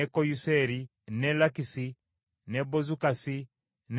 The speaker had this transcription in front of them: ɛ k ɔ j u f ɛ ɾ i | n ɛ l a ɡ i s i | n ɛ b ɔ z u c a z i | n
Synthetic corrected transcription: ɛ k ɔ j u s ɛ ɾ i | n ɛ l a k i s i | n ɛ b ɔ z u k a s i | n